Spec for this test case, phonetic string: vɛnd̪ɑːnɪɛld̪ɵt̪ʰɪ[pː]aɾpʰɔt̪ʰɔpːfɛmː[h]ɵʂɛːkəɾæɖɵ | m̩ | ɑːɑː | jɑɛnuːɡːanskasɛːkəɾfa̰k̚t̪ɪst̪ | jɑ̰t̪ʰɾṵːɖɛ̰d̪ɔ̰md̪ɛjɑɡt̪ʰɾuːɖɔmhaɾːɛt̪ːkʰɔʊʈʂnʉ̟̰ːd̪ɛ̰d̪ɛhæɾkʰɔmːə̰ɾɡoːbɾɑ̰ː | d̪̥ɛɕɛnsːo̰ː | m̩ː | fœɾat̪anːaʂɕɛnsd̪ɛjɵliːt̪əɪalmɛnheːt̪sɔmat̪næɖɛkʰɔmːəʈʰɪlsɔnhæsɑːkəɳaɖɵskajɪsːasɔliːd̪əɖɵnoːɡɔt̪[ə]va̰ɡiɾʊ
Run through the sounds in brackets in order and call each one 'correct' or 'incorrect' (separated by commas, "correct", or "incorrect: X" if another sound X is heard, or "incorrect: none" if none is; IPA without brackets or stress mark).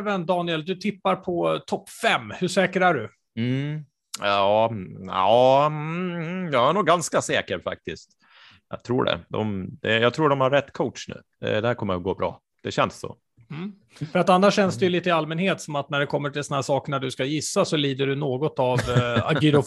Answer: correct, correct, incorrect: a